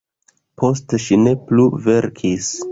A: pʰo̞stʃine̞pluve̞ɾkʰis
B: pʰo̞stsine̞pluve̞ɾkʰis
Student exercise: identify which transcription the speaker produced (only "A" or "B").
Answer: A